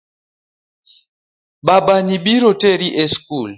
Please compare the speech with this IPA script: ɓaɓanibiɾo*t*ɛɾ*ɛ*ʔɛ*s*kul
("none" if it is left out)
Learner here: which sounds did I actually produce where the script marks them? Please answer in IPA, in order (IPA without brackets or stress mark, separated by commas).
t, i, s